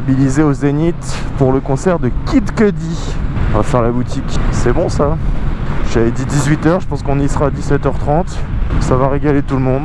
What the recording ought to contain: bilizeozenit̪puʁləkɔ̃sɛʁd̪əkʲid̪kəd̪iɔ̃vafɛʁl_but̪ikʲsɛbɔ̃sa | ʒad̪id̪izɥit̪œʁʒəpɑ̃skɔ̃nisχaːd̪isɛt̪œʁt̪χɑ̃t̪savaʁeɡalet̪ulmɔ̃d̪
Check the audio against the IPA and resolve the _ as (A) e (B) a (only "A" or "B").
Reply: B